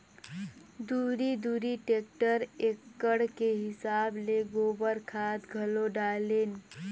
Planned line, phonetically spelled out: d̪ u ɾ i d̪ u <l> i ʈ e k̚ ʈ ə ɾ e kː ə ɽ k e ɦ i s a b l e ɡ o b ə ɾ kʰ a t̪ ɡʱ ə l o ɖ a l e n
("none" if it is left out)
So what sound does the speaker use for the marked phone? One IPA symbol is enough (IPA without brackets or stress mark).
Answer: ɾ